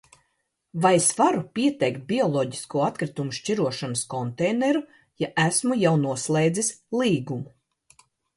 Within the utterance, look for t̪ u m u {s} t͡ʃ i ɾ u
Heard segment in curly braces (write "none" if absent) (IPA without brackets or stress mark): ʃ